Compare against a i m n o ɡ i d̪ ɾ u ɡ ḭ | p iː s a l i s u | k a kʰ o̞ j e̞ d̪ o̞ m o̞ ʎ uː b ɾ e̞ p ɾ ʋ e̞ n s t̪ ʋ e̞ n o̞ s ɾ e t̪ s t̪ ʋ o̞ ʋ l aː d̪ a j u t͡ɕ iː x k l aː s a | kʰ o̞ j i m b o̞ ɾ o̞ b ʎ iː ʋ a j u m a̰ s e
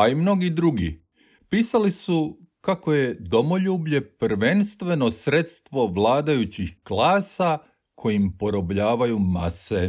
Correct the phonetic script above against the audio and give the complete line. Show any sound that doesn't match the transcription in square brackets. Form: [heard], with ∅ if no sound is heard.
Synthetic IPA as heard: a i m n o ɡ i d̪ ɾ u ɡ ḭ | p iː s a l i s u | k a [k] o̞ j e̞ d̪ o̞ m o̞ ʎ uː b [ʎ] e̞ p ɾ ʋ e̞ n s t̪ ʋ e̞ n o̞ s ɾ e t̪ s t̪ ʋ o̞ ʋ l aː d̪ a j u t͡ɕ [i] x k l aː s a | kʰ o̞ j i m [p] o̞ ɾ o̞ b ʎ [aː] ʋ a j u m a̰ s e